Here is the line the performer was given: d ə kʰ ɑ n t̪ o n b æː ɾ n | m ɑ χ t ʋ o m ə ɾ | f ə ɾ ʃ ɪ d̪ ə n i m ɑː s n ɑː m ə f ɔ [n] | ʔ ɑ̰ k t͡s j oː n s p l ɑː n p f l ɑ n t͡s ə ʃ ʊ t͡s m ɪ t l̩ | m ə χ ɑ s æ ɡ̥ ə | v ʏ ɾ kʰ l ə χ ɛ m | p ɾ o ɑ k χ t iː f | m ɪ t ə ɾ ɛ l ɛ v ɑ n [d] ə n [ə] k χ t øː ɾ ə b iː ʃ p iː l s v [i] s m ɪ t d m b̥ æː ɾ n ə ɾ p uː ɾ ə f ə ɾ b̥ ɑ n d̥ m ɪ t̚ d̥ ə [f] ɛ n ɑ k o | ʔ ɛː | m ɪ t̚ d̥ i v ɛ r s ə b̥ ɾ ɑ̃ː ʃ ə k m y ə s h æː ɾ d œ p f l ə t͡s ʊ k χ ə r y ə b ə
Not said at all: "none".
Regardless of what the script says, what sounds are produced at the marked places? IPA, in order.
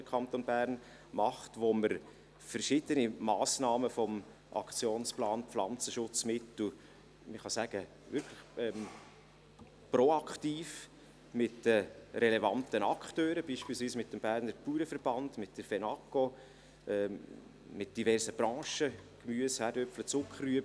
m, t, ɑ, iː, f

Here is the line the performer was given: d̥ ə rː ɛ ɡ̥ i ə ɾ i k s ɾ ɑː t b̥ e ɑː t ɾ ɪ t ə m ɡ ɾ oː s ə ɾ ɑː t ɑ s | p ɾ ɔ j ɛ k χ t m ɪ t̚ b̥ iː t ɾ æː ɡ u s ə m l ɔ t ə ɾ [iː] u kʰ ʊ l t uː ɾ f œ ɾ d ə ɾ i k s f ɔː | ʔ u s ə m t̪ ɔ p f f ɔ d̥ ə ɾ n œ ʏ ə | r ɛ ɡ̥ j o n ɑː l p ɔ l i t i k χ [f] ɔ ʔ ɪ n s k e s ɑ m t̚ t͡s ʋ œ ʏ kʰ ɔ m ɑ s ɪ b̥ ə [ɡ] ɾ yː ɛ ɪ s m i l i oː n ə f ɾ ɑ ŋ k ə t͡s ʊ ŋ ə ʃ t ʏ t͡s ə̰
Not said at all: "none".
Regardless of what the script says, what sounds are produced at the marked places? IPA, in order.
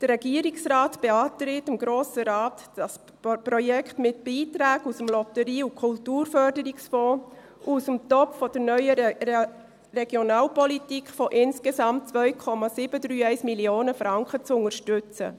iː, f, d

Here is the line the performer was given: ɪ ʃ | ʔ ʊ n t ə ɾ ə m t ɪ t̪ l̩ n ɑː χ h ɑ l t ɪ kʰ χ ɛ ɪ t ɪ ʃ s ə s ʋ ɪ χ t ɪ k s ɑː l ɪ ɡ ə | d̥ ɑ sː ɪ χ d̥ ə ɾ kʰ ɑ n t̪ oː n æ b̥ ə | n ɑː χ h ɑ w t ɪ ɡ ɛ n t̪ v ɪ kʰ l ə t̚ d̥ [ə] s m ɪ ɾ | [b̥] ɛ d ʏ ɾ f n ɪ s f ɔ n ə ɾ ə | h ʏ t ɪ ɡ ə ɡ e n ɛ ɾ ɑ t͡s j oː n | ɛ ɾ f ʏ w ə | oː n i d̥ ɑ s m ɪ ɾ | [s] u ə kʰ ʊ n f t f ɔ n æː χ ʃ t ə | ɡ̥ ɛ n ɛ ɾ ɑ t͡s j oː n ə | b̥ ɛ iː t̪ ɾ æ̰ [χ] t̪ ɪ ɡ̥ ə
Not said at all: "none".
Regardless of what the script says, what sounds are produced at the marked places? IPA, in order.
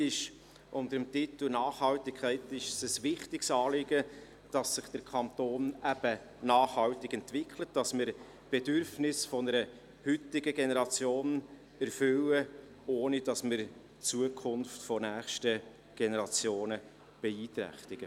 ɑ, b̥, t͡s, χ

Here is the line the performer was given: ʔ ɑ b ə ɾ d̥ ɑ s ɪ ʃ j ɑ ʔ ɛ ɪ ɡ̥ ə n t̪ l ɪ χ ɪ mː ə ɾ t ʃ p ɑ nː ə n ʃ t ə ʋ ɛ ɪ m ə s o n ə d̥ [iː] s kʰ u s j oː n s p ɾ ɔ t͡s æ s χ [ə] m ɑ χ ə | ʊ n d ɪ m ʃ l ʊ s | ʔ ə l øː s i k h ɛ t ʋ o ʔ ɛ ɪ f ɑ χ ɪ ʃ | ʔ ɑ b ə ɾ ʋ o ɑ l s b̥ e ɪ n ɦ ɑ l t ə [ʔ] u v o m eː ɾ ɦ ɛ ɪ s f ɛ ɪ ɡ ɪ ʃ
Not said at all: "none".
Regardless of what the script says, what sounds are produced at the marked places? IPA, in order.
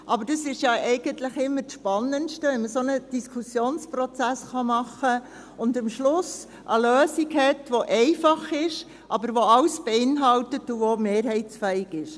i, ɑ, t

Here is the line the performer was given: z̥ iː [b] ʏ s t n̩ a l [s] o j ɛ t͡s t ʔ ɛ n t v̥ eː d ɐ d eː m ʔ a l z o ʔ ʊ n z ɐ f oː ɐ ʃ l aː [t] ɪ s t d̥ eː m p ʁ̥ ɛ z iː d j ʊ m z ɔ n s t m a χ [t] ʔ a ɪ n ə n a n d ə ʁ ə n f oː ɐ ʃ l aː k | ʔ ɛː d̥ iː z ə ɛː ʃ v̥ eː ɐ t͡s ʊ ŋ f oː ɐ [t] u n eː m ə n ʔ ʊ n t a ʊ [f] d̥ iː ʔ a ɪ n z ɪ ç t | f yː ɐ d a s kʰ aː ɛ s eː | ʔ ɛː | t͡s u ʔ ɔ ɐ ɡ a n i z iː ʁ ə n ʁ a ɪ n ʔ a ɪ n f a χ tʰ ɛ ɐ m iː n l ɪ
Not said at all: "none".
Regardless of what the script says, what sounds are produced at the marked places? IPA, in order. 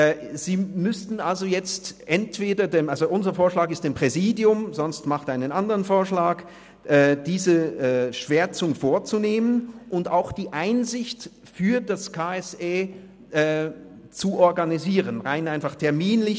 m, z, k, t, t͡s, x

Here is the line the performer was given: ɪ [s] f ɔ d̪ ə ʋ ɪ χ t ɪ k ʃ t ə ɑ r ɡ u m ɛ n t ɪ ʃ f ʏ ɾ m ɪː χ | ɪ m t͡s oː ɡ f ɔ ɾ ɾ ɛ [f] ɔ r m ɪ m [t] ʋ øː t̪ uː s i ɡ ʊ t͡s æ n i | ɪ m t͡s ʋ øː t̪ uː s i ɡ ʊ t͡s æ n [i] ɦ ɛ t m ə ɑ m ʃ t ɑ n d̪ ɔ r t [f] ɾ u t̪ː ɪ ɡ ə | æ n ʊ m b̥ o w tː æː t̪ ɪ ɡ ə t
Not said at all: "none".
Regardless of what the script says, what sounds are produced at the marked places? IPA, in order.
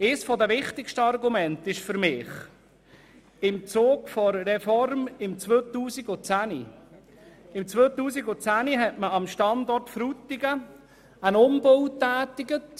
s, f, t͡s, i, f

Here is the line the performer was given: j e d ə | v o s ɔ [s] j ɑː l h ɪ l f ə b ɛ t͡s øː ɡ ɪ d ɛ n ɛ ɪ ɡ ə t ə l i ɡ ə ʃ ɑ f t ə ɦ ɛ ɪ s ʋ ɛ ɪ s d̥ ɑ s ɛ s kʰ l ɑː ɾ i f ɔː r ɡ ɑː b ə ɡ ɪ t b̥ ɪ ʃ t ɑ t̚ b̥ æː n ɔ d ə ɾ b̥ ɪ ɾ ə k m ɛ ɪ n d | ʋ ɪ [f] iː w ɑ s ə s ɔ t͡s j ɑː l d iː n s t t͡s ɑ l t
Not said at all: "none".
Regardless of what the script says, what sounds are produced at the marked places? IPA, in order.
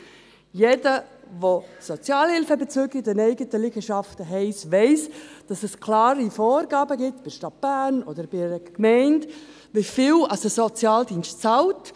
t͡s, f

